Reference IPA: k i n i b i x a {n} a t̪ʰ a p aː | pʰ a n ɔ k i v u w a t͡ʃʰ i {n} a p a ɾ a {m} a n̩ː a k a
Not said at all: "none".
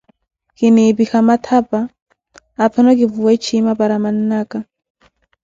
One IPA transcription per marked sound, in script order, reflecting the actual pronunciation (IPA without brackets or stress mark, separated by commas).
m, m, m